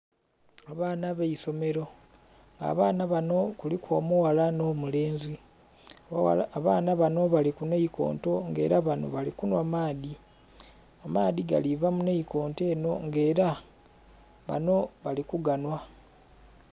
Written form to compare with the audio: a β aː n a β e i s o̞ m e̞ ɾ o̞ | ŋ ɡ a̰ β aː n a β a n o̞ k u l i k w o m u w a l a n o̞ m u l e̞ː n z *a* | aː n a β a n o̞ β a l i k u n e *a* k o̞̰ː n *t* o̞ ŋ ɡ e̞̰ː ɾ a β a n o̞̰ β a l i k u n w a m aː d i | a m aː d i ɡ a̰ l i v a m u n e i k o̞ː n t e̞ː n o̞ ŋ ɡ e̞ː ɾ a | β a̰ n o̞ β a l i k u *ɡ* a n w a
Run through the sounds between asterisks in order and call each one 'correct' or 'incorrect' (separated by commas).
incorrect, incorrect, correct, correct